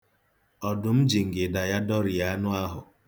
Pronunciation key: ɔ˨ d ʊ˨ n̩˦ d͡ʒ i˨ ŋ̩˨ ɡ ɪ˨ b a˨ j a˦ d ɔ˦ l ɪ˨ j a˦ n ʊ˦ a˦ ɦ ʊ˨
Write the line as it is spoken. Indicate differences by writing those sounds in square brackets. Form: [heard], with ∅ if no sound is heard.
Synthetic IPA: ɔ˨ d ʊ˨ [m̩˦] d͡ʒ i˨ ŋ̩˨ ɡ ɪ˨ [d] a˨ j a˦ d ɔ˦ [ɾ] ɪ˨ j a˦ n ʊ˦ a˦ ɦ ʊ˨